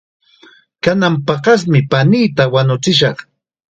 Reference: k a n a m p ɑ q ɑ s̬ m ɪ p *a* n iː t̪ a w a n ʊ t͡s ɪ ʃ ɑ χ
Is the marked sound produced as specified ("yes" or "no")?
yes